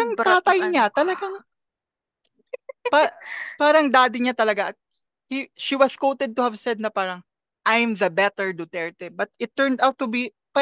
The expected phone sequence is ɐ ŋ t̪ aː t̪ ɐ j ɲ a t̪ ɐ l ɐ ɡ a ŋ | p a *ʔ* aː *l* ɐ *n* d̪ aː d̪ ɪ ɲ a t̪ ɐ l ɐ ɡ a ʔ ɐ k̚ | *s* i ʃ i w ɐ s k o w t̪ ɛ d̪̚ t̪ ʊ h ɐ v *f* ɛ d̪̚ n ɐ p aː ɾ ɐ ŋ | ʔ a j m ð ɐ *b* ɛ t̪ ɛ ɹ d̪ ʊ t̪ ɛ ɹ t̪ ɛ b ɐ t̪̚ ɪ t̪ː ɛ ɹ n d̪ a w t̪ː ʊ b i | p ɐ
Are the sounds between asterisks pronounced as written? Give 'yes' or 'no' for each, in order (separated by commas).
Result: no, no, no, no, no, yes